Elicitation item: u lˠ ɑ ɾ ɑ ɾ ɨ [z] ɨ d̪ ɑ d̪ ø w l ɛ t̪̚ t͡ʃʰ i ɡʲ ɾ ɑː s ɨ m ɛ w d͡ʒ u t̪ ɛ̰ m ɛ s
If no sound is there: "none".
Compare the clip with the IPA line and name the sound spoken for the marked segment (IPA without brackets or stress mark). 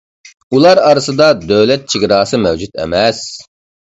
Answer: s